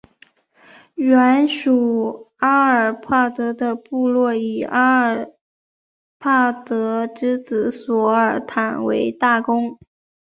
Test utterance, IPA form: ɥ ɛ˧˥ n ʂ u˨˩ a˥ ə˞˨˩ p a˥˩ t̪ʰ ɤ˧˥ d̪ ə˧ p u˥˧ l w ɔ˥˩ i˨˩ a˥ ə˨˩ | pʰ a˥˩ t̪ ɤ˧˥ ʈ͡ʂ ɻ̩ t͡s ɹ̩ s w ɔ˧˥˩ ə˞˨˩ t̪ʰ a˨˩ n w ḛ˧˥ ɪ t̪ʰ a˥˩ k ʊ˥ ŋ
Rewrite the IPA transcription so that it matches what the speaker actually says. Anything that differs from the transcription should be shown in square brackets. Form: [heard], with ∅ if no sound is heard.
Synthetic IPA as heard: ɥ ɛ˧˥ n ʂ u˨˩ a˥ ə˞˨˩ [pʰ] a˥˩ [t̪] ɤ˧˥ d̪ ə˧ p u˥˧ l w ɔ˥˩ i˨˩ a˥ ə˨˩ | pʰ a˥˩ t̪ ɤ˧˥ ʈ͡ʂ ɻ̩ t͡s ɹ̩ s w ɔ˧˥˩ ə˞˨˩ t̪ʰ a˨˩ n w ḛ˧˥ ɪ [t̪] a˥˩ k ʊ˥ ŋ

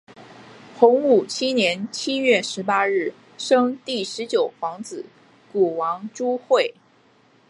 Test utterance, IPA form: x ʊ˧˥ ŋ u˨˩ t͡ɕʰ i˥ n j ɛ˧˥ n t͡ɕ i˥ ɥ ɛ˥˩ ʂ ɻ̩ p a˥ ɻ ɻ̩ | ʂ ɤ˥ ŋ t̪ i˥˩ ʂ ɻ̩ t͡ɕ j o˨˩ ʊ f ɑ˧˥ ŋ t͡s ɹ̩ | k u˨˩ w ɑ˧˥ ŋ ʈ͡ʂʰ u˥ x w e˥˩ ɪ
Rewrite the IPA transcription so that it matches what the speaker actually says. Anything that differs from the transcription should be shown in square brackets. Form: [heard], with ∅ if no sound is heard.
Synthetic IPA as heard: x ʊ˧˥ ŋ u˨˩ t͡ɕʰ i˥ n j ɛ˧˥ n [t͡ɕʰ] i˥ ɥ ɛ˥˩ ʂ ɻ̩ p a˥ ɻ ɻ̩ | ʂ ɤ˥ ŋ t̪ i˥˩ ʂ ɻ̩ t͡ɕ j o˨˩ ʊ f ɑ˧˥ ŋ t͡s ɹ̩ | k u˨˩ w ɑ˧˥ ŋ [ʈ͡ʂ] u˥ x w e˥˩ ɪ

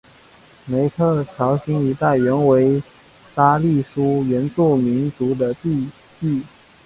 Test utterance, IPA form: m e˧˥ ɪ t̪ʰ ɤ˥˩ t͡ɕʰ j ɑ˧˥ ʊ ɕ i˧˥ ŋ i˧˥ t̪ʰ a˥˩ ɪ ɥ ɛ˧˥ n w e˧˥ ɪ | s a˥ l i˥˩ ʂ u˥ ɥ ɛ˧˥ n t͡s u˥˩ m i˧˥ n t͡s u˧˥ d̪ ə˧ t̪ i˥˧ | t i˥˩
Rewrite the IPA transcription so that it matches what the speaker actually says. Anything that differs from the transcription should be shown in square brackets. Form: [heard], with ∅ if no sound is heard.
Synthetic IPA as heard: m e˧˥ ɪ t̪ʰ ɤ˥˩ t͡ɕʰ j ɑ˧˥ ʊ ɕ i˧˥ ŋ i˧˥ [t̪] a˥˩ ɪ ɥ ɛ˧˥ n w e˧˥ ɪ | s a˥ l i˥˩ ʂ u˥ ɥ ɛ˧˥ n t͡s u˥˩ m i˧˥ n t͡s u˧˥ d̪ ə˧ t̪ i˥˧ | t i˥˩

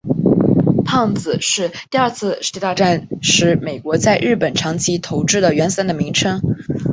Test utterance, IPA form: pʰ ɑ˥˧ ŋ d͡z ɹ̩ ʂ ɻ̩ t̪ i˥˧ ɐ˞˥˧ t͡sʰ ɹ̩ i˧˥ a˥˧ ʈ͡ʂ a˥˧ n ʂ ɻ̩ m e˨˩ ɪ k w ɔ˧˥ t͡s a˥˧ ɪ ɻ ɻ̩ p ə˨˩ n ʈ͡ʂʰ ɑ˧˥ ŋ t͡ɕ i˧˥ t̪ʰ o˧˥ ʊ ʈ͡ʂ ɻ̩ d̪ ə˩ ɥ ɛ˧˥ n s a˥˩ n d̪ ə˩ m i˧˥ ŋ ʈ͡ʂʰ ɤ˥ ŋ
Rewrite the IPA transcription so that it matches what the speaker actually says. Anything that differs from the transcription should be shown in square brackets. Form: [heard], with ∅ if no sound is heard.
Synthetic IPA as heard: pʰ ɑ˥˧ ŋ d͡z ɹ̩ ʂ ɻ̩ t̪ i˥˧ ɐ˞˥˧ t͡sʰ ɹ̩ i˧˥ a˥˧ ʈ͡ʂ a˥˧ n ʂ ɻ̩ m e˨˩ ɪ k w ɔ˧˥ t͡s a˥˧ ɪ ɻ ɻ̩ p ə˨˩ n ʈ͡ʂʰ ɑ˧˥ ŋ [t͡ɕʰ] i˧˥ t̪ʰ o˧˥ ʊ ʈ͡ʂ ɻ̩ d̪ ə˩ ɥ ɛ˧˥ n s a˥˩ n d̪ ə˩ m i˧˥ ŋ ʈ͡ʂʰ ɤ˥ ŋ

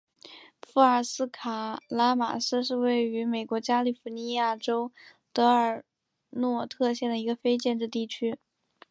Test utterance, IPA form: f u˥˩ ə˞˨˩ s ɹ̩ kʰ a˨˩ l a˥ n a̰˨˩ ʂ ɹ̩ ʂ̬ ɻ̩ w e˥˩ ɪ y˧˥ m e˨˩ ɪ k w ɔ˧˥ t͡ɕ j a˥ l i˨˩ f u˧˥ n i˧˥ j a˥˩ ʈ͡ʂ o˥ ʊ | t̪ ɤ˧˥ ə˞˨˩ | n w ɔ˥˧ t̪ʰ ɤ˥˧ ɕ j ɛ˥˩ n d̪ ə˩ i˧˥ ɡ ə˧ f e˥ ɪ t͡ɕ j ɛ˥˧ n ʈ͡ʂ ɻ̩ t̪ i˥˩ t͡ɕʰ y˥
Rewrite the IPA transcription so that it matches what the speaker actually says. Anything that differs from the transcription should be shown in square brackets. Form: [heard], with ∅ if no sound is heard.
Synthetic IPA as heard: f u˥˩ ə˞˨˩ s ɹ̩ kʰ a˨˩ l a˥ [m] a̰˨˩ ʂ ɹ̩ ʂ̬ ɻ̩ w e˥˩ ɪ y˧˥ m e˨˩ ɪ k w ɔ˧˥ t͡ɕ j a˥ l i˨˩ f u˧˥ n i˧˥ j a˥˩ ʈ͡ʂ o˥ ʊ | t̪ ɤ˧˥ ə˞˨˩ | n w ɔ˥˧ t̪ʰ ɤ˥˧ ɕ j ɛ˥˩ n d̪ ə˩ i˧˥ ɡ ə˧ f e˥ ɪ t͡ɕ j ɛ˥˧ n ʈ͡ʂ ɻ̩ t̪ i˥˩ t͡ɕʰ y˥

